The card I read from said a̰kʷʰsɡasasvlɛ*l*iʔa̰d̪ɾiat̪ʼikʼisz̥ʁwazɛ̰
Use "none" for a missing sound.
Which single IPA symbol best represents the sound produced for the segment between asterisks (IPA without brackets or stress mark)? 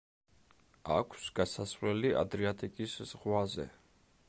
l